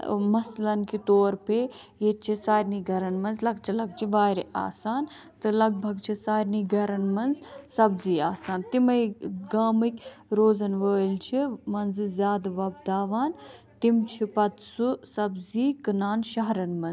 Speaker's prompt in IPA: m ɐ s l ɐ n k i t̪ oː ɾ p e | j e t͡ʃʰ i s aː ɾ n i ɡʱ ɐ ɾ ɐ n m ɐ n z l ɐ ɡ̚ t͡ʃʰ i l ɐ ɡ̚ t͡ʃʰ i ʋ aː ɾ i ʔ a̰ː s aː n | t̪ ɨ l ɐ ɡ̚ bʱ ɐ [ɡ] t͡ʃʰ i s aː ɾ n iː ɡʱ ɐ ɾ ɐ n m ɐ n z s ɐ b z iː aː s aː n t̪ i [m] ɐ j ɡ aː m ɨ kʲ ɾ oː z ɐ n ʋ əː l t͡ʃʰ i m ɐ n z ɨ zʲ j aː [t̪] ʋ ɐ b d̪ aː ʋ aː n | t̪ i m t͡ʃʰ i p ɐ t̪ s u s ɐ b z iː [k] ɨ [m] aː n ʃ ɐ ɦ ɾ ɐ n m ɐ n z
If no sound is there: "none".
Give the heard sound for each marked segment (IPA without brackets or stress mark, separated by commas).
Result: ɡ, m, d̪, k, n